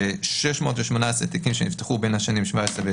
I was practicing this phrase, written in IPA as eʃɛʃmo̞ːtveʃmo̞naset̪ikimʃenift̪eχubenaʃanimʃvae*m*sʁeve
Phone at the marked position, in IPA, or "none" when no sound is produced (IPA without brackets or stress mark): none